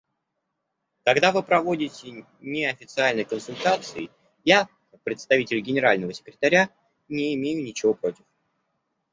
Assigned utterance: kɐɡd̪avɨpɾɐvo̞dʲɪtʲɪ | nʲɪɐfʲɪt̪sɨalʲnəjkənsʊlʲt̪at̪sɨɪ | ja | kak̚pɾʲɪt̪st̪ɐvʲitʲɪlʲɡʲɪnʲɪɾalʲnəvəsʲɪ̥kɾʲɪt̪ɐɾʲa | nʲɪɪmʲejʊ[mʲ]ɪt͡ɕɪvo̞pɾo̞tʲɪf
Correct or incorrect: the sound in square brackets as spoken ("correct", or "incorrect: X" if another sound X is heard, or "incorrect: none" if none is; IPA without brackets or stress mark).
incorrect: nʲ